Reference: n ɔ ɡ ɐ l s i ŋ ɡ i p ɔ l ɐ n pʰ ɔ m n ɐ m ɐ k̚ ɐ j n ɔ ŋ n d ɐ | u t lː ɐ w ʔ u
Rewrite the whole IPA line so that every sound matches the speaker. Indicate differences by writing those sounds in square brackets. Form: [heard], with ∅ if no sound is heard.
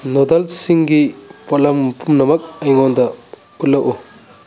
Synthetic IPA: n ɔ [d] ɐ l s i ŋ ɡ i p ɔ l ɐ [m] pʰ [u] m n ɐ m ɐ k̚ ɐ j [ŋ] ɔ [∅] n d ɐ | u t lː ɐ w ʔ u